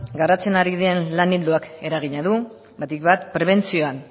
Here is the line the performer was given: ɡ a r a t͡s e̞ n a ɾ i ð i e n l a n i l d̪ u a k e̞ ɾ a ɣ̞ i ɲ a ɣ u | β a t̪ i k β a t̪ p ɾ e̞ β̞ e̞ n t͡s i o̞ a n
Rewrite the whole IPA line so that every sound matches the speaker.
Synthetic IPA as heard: ɡ a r a t͡s e̞ n a ɾ i ð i e n l a n i l d̪ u a k e̞ ɾ a ɣ̞ i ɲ a ð u | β a t̪ i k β a t̪ p ɾ e̞ β̞ e̞ n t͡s i o̞ a n